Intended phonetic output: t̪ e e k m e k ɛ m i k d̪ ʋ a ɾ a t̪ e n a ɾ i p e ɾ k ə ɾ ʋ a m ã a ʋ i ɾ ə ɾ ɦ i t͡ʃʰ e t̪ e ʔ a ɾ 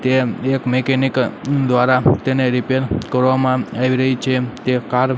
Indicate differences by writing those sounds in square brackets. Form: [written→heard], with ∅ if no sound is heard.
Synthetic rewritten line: t̪ e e k m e k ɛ [m→n] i k d̪ ʋ a ɾ a t̪ e n [a→e] ɾ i p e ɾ k ə ɾ ʋ a m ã a ʋ i ɾ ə [ɾ→∅] ɦ i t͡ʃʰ e t̪ e [ʔ→k] a ɾ